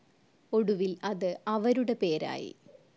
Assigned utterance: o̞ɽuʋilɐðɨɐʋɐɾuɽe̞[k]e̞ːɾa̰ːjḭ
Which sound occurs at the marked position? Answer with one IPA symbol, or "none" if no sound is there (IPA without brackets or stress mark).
p